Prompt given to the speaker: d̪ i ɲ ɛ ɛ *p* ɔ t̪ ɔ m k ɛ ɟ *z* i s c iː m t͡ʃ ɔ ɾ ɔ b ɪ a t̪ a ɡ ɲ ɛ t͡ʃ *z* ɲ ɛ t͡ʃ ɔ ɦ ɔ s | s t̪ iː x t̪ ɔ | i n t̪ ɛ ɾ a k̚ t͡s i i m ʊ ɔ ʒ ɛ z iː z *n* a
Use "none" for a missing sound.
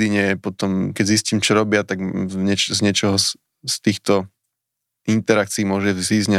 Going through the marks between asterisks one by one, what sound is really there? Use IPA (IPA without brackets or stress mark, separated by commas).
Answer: p, z, z, ɲ